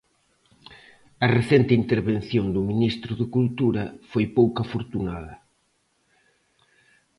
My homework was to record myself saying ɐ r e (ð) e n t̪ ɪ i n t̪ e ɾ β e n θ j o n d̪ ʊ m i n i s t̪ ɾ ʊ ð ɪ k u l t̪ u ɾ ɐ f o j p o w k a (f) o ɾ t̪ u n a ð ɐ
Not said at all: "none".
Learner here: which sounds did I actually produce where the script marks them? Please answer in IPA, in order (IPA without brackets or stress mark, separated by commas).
θ, f